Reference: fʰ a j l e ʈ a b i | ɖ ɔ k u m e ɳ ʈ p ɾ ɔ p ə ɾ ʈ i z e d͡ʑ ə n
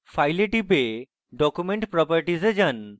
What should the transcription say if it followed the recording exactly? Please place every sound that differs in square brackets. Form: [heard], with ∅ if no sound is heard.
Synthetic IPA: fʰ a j l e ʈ [i] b [e] | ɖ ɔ k u m e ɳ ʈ p ɾ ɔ p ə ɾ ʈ i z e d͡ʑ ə n